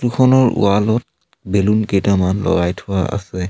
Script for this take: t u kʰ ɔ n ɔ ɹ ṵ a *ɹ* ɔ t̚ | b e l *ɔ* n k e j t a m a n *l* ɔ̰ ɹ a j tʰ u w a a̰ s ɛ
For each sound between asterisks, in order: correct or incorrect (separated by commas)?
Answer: incorrect, incorrect, correct